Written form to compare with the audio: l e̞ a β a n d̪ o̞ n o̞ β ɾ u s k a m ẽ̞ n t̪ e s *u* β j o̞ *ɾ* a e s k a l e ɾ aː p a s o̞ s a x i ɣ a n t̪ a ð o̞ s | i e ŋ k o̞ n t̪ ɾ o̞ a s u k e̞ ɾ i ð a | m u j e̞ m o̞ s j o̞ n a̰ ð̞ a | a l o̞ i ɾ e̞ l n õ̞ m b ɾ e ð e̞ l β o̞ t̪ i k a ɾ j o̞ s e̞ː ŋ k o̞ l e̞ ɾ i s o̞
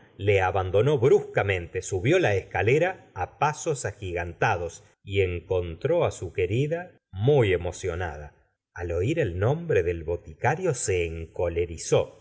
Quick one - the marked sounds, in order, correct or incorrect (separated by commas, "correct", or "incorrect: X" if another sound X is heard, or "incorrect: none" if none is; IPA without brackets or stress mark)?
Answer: correct, incorrect: l